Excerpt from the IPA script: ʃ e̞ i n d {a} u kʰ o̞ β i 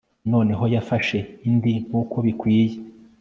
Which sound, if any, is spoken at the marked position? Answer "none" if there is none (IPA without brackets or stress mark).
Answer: i